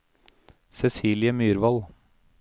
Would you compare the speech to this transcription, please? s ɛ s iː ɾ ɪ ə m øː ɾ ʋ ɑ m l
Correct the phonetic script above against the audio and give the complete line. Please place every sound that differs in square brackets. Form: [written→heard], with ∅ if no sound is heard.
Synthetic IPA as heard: s ɛ s iː [ɾ→l] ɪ ə m [øː→yː] ɾ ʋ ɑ [m→∅] l